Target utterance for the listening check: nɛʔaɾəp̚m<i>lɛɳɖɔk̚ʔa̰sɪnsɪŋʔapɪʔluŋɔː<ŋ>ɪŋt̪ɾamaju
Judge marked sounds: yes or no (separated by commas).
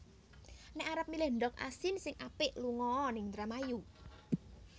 yes, no